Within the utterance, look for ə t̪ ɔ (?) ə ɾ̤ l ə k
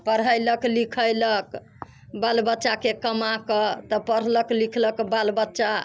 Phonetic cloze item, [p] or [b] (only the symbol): p